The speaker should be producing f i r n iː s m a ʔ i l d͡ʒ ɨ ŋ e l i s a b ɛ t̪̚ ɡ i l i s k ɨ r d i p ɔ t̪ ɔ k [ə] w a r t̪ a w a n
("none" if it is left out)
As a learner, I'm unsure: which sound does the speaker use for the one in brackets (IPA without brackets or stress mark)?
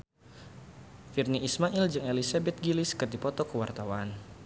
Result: ə